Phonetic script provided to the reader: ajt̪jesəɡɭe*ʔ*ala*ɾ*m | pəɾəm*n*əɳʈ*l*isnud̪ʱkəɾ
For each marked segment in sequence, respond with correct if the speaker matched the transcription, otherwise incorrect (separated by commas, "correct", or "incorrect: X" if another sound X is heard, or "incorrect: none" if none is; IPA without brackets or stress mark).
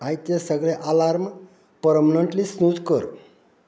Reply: correct, correct, correct, correct